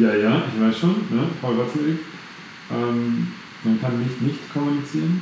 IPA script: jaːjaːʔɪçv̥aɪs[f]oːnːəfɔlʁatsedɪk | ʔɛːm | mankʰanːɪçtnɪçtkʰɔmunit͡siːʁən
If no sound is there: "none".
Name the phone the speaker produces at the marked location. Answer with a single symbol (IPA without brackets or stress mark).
ʃ